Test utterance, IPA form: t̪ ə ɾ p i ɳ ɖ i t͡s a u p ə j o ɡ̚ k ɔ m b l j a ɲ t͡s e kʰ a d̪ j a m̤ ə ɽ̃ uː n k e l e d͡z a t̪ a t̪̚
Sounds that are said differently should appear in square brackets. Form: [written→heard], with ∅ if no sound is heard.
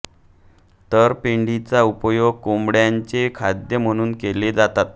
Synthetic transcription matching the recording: t̪ ə ɾ p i ɳ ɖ i t͡s a u p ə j o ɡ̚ k [ɔ→o] m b [l→ɽ] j a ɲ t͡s e kʰ a d̪ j [a→ə] m̤ ə ɽ̃ uː n k e l e d͡z a t̪ a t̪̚